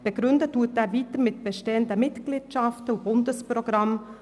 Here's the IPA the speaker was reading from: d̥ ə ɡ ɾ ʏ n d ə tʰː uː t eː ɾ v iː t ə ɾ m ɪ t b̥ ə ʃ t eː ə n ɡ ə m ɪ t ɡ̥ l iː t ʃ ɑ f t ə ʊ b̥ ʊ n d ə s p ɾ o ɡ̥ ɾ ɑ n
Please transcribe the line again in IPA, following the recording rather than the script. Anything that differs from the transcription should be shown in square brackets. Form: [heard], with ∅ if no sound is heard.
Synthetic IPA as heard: [b̥] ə ɡ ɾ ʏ n d ə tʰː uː t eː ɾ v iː t ə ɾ m ɪ t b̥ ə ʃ t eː ə n [d] ə m ɪ t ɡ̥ l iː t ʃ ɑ f t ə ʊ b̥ ʊ n d ə s p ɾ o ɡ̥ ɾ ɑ [m]